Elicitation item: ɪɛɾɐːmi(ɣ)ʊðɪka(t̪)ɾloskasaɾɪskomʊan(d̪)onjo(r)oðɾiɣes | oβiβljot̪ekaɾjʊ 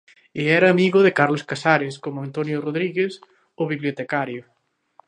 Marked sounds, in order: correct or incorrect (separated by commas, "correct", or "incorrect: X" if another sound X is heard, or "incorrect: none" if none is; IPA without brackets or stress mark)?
correct, incorrect: none, incorrect: t̪, correct